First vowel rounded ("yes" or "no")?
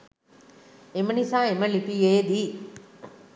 no